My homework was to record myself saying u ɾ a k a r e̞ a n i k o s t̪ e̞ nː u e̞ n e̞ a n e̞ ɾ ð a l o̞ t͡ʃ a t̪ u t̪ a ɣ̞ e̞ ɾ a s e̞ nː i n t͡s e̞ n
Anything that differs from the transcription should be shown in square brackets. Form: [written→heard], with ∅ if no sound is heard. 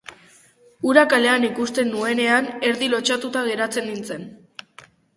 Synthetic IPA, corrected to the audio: u ɾ a k a [r→l] e̞ a n i k [o→u] s t̪ e̞ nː u e̞ n e̞ a n e̞ ɾ ð [a→i] l o̞ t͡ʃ a t̪ u t̪ a ɣ̞ e̞ ɾ a [s→t͡s] e̞ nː i n t͡s e̞ n